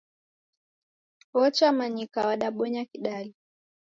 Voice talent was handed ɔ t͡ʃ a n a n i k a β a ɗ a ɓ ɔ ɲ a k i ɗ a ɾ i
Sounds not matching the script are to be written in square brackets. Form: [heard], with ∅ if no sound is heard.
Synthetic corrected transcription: ɔ t͡ʃ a [m] a [ɲ] i k a [w] a ɗ a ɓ ɔ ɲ a k i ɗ a [l] i